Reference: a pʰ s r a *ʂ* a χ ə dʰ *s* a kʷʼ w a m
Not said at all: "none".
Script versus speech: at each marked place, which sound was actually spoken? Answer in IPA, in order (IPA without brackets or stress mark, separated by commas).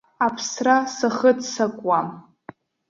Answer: s, s